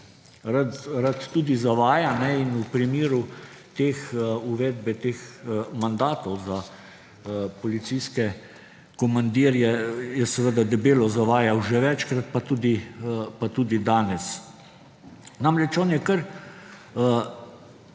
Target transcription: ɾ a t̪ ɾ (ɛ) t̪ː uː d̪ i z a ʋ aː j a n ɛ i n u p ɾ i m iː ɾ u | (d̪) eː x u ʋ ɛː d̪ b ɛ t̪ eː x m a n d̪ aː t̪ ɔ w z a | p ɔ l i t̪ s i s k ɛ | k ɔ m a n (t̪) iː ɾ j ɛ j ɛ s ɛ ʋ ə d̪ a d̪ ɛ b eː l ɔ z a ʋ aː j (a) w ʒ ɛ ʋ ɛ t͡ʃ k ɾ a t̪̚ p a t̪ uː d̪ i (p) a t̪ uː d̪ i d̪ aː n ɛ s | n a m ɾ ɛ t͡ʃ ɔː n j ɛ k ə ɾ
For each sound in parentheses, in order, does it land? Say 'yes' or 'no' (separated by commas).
no, no, no, yes, yes